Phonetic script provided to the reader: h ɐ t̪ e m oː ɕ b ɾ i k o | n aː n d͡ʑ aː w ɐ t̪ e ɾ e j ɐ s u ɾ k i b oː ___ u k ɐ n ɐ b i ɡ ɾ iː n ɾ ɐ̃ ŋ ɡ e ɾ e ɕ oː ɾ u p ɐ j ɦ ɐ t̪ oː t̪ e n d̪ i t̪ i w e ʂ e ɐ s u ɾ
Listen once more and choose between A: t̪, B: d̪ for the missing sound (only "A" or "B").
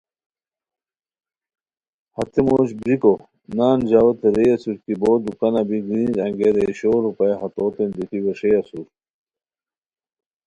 B